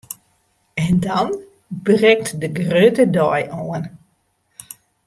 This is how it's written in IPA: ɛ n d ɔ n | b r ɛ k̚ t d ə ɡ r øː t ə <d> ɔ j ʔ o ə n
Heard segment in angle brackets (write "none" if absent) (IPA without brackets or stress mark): d